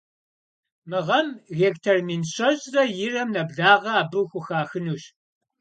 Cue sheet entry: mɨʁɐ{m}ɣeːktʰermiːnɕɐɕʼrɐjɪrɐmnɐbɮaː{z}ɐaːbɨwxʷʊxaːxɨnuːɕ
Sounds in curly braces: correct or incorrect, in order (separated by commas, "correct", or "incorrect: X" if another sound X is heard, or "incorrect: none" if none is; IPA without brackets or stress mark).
correct, incorrect: ʁ